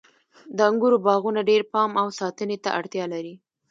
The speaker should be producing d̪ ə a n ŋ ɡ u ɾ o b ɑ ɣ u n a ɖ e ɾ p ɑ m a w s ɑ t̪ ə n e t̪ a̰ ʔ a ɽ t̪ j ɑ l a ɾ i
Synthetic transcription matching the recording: d̪ ə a ŋ ɡ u ɾ o b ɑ ɣ u n a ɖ e ɾ p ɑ m a w s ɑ t̪ ə n e t̪ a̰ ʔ a ɽ t̪ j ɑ l a ɾ i